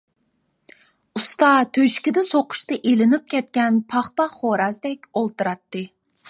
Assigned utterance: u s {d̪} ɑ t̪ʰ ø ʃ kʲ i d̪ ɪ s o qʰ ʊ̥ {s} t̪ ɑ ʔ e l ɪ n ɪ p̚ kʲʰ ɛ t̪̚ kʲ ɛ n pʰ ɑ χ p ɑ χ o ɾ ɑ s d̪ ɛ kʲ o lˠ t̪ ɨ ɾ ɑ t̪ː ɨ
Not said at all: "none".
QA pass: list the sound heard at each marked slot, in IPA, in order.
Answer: t̪, ʃ

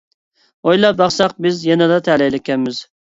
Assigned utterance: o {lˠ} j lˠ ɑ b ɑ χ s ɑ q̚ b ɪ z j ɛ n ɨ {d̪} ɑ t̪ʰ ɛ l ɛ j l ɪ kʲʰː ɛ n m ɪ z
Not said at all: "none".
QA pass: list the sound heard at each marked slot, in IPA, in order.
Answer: none, d̪

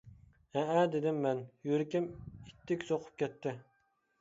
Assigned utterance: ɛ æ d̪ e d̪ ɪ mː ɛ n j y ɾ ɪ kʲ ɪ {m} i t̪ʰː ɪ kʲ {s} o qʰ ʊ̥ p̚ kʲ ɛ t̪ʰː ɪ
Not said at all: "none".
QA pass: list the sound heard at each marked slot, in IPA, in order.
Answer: m, s

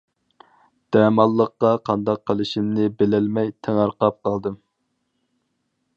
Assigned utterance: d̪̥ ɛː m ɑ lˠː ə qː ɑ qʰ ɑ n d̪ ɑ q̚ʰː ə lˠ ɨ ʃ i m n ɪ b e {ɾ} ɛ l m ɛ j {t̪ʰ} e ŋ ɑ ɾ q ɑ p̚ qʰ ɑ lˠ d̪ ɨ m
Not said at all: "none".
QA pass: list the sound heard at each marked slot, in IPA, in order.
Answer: l, t̪ʰ

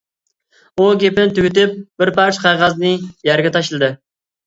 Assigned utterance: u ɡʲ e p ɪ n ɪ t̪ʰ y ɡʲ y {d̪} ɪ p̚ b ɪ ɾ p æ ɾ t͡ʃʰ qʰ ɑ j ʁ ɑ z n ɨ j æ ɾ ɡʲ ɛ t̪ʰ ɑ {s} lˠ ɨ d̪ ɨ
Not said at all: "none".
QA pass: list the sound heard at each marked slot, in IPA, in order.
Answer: t̪, ʃ

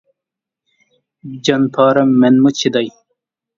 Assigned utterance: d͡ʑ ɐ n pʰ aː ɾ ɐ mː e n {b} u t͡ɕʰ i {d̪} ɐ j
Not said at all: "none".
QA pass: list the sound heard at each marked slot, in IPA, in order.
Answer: m, d̪

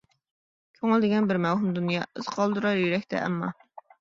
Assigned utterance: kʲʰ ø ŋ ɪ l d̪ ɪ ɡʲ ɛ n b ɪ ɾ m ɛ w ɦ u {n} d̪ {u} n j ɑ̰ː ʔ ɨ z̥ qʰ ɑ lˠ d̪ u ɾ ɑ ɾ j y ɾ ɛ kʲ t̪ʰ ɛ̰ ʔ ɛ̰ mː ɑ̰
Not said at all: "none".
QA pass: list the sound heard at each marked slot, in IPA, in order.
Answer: m, u

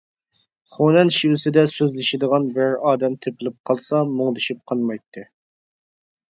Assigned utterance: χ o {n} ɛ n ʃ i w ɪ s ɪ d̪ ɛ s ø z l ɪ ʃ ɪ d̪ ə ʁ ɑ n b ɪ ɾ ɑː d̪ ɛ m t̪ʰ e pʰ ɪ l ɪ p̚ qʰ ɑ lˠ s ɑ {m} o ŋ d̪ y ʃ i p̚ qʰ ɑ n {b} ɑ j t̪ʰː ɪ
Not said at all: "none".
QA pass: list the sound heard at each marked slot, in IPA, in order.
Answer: n, m, m

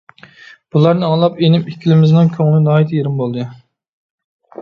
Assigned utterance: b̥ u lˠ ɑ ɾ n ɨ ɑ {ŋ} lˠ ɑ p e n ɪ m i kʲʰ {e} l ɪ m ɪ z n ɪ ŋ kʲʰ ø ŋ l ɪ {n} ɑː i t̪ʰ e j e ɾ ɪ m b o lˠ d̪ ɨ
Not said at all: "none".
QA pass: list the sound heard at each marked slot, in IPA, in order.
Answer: ŋ, i, n

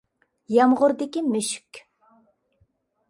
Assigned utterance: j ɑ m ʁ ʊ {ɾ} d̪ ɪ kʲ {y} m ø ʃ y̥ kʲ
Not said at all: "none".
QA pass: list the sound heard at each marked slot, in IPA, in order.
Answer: ɾ, i

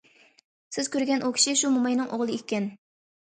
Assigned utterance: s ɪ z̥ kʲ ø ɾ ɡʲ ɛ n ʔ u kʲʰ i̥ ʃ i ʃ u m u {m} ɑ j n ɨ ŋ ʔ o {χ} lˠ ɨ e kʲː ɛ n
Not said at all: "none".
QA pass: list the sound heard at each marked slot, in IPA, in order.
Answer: m, ʁ

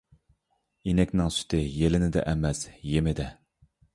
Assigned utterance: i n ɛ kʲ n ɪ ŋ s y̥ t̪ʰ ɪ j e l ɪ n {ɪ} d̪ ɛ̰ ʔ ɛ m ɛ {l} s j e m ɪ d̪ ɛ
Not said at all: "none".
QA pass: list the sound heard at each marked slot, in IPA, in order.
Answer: ɪ, none

